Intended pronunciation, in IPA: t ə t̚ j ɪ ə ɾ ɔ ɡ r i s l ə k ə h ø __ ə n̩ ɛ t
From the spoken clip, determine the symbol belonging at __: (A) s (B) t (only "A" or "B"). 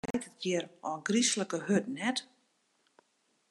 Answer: B